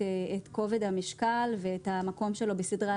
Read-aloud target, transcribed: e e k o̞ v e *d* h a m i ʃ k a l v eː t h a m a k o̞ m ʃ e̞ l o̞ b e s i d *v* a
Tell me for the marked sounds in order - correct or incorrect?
correct, incorrect: ʁ

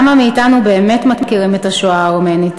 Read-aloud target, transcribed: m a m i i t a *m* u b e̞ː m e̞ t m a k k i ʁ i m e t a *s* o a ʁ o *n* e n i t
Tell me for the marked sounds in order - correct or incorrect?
incorrect: n, incorrect: ʃ, incorrect: m

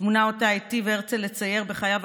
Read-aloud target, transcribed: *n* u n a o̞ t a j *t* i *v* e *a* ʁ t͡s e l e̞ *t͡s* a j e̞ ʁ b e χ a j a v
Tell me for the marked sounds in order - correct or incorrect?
incorrect: m, correct, correct, incorrect: e, correct

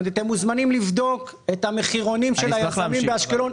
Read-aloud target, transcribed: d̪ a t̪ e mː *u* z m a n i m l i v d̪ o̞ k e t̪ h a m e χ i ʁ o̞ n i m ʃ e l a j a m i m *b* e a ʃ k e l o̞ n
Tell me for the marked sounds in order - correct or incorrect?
correct, correct

